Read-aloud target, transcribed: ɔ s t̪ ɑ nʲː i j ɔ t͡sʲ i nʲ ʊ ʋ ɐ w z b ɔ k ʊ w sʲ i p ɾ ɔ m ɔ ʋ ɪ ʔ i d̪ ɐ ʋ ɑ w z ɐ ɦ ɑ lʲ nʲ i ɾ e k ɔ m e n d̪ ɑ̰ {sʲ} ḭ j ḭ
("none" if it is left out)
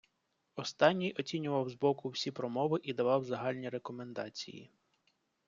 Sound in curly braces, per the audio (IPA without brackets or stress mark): t͡sʲ